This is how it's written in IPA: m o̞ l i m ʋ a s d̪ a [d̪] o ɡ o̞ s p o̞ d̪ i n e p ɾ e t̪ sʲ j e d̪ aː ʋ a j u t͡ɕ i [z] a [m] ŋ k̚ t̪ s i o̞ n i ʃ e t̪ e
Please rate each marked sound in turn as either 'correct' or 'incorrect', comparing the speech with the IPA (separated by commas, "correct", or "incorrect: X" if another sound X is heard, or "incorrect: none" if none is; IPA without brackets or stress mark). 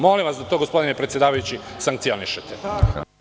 incorrect: t̪, incorrect: s, incorrect: none